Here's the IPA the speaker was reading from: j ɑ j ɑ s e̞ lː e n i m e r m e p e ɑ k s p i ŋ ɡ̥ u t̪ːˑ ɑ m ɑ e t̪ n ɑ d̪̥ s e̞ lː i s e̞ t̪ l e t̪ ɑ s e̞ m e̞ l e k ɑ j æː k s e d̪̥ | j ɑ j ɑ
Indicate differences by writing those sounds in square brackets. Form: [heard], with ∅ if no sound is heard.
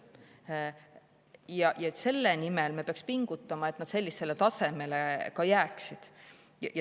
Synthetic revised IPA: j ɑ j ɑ s e̞ lː e n i m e [l] m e p e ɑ k s p i ŋ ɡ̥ u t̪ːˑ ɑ m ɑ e t̪ n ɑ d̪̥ s e̞ lː i s e̞ [∅] l e t̪ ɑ s e̞ m e̞ l e k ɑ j æː k s [i] d̪̥ | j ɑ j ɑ